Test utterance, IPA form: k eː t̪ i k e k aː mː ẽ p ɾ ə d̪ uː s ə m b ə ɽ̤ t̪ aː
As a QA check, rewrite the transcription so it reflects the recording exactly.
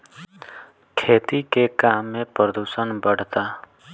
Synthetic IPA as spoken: kʰ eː t̪ i k e k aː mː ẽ p ɾ ə d̪ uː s ə n b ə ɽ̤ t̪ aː